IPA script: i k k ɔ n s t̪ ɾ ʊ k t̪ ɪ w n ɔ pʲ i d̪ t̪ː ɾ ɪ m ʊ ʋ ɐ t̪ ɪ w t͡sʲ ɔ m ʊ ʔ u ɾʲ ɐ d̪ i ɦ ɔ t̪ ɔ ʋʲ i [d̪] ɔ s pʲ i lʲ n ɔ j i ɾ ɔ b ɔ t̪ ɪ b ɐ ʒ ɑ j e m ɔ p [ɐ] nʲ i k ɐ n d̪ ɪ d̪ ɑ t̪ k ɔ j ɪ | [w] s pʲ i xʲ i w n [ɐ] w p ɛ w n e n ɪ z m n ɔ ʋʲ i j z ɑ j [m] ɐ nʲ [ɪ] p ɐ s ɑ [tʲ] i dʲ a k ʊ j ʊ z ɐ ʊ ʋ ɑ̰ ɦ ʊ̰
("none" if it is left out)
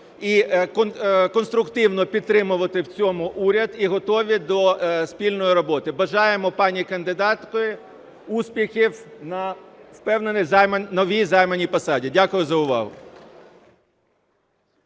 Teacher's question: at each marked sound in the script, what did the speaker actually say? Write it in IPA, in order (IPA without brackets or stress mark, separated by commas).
d̪, ɑ, u, ɐ, m, i, dʲ